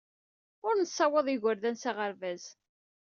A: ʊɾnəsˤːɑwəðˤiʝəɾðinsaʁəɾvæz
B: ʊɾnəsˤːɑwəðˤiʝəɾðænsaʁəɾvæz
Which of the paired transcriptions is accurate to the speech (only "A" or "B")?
B